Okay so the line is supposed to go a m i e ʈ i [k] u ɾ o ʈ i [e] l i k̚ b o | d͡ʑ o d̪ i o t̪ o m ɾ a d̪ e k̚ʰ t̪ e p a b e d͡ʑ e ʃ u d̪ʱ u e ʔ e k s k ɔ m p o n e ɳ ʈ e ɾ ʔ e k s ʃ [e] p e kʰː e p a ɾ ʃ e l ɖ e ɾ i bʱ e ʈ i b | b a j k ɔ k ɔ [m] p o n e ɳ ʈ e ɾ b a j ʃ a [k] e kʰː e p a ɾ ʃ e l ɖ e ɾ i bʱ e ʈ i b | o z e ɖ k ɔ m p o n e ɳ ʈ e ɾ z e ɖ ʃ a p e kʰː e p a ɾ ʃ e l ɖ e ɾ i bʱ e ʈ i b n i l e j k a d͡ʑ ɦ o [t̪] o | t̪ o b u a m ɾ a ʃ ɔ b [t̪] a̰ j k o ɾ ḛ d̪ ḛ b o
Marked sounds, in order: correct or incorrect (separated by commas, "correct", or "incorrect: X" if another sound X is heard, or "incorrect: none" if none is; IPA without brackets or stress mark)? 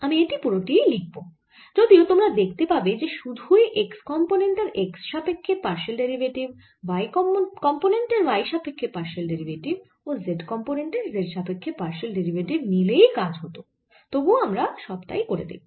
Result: incorrect: p, correct, incorrect: a, correct, incorrect: p, correct, correct